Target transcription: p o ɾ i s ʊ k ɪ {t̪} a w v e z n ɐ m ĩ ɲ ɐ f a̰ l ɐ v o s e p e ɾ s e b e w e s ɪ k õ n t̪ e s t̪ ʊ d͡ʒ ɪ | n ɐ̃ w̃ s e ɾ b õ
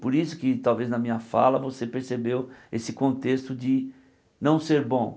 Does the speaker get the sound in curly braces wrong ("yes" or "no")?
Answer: no